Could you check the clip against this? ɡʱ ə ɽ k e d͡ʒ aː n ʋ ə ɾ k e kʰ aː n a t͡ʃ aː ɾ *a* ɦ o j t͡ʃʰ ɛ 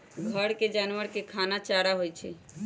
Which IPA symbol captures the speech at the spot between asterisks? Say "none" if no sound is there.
a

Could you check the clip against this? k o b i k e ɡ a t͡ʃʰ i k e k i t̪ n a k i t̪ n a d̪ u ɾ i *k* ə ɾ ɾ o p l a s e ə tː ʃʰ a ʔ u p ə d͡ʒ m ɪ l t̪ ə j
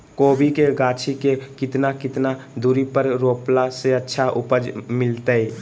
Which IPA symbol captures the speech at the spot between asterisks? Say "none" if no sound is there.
p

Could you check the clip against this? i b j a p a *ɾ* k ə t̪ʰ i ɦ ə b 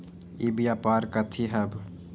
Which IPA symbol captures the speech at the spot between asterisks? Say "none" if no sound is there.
ɾ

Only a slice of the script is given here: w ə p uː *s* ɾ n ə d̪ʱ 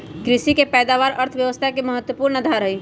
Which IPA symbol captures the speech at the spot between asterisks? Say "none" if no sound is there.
none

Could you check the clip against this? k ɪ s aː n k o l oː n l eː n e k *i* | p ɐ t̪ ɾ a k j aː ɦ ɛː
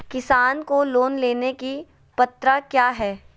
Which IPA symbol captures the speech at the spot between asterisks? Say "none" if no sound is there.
i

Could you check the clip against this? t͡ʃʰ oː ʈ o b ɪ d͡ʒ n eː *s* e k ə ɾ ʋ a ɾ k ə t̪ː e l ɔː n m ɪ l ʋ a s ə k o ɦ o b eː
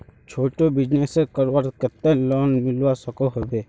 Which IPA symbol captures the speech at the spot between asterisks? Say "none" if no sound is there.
s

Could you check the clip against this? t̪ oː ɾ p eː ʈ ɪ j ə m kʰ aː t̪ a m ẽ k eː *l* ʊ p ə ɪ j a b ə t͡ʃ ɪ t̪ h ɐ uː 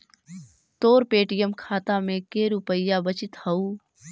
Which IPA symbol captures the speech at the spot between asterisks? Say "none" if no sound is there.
ɾ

